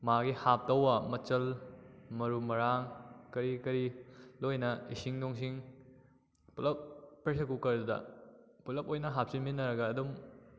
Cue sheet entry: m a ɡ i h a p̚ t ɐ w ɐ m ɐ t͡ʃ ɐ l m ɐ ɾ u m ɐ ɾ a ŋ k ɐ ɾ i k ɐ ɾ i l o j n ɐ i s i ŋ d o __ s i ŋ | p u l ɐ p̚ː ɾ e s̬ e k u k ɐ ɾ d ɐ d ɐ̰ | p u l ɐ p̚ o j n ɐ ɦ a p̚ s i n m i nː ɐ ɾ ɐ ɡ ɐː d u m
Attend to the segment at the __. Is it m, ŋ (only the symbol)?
ŋ